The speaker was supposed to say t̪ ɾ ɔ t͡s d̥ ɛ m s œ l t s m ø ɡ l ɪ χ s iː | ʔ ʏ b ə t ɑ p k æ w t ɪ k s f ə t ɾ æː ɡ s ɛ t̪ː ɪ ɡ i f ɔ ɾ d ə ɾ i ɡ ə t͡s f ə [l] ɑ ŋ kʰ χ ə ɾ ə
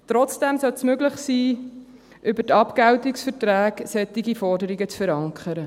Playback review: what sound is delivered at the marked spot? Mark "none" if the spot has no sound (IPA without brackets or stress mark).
ɾ